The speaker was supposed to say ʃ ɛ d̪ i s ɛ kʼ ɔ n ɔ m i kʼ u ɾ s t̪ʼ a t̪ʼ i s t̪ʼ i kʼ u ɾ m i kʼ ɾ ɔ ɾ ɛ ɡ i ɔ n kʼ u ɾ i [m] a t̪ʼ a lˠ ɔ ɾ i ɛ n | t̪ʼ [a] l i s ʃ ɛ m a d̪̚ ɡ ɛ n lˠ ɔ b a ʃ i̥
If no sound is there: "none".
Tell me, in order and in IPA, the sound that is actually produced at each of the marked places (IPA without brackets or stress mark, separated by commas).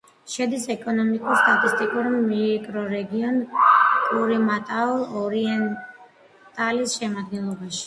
m, a